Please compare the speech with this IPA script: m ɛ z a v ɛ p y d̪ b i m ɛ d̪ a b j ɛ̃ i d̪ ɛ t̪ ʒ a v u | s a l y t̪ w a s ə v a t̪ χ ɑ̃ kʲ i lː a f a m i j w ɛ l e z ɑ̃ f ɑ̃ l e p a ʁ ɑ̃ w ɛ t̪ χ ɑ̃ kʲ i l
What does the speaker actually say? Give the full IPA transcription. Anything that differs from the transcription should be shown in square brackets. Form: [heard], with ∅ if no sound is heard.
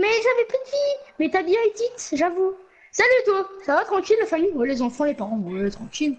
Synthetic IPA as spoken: m ɛ [ʒ] a v ɛ p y d̪ [v] i m ɛ [t̪] a b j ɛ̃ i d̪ [i] t̪ ʒ a v u | s a l y t̪ w a s [a] v a t̪ χ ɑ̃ kʲ i lː a f a m i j w ɛ l e z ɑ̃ f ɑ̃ l e p a ʁ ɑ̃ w ɛ t̪ χ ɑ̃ kʲ i l

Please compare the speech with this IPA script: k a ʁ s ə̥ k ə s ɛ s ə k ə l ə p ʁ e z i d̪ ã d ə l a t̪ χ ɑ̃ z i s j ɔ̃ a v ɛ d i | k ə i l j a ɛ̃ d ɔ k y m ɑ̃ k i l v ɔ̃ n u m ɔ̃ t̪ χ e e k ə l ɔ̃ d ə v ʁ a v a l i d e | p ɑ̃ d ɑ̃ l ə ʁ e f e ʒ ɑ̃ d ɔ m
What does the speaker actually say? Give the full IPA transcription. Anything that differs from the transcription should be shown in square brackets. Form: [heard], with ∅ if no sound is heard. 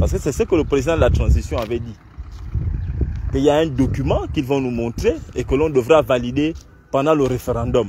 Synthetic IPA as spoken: [p] a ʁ s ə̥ k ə s ɛ s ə k ə l ə p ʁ e z i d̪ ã d ə l a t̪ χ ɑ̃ z i s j ɔ̃ a v ɛ d i | k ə i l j a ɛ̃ d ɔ k y m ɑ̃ k i l v ɔ̃ n u m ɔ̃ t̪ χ e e k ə l ɔ̃ d ə v ʁ a v a l i d e | p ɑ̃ d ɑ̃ l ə ʁ e f e [ʁ] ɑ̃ d ɔ m

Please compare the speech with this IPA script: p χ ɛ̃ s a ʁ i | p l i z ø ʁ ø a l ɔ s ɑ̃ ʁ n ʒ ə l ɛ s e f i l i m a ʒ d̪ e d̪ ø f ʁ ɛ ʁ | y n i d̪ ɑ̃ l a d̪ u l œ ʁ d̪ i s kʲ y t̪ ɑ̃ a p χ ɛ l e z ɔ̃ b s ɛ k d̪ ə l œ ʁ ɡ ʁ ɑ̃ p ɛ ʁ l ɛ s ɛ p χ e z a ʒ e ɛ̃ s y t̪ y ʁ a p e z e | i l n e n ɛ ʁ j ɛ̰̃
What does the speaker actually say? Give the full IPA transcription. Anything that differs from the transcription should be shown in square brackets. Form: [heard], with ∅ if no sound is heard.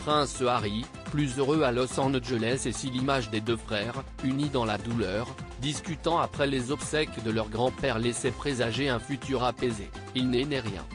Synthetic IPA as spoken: p χ ɛ̃ s a ʁ i | p l [y] z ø ʁ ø a l ɔ s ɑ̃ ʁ n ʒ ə l ɛ s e [s] i l i m a ʒ d̪ e d̪ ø f [χ] ɛ ʁ | y n i d̪ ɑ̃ l a d̪ u l œ ʁ d̪ i s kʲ y t̪ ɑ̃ a p χ ɛ l e z [ɔ] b s ɛ k d̪ ə l œ ʁ ɡ ʁ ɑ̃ p ɛ ʁ l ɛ s ɛ p χ e z a ʒ e ɛ̃ [f] y t̪ y ʁ a p e z e | i l n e n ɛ ʁ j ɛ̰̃

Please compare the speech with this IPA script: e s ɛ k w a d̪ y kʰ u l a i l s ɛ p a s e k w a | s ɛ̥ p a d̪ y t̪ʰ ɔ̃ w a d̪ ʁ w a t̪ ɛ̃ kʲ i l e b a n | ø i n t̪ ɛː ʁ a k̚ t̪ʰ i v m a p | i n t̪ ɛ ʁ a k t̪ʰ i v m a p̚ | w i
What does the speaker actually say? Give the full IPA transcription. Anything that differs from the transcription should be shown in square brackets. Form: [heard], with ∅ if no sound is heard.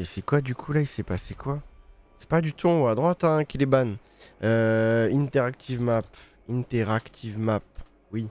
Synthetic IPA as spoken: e s ɛ k w a d̪ y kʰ u l a i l s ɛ p a s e k w a | s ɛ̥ p a d̪ y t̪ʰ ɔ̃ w a d̪ ʁ w a t̪ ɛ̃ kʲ i l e b a n | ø i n t̪ [ɛ] ʁ a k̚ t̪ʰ i v m a p | i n t̪ ɛ ʁ a k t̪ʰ i v m a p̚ | w i

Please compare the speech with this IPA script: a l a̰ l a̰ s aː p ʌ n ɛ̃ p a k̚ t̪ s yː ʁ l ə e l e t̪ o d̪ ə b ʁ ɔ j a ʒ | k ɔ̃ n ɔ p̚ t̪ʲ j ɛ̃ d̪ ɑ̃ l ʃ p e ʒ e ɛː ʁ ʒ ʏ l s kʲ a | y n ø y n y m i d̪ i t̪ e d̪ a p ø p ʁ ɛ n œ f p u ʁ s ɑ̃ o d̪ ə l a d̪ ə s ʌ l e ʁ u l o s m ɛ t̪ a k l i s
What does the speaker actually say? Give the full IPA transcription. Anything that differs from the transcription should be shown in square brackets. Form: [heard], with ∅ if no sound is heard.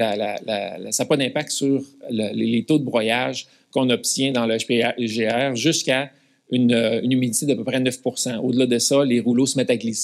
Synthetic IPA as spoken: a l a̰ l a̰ s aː p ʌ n ɛ̃ p a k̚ t̪ s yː ʁ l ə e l e t̪ o d̪ ə b ʁ ɔ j a ʒ | k ɔ̃ n ɔ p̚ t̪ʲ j ɛ̃ d̪ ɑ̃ l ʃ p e ʒ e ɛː ʁ ʒ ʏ [∅] s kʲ a | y n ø y n y m i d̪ i t̪ e d̪ a p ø p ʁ ɛ n œ f p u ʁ s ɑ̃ o d̪ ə l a d̪ ə s ʌ l e ʁ u l o s m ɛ t̪ a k l i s

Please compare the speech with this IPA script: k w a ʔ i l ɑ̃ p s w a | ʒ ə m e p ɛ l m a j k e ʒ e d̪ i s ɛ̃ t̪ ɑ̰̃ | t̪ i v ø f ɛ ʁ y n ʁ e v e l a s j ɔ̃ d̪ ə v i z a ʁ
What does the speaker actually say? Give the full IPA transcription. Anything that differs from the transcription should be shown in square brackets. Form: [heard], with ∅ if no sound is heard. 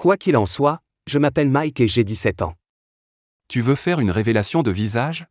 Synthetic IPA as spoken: k w a [k] i l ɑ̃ [∅] s w a | ʒ ə m [a] p ɛ l m a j k e ʒ e d̪ i s [ɛ] t̪ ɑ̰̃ | t̪ [y] v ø f ɛ ʁ y n ʁ e v e l a s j ɔ̃ d̪ ə v i z a [ʒ]

